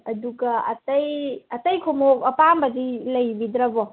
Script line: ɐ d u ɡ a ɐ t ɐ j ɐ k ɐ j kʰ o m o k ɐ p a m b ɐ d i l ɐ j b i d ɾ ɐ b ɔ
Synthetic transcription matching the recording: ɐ d u ɡ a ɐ t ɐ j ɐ t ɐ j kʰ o m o k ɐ p a m b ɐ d i l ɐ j b i d ɾ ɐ b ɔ